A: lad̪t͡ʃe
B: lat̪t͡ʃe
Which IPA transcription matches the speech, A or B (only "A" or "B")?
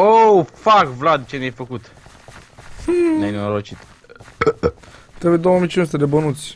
A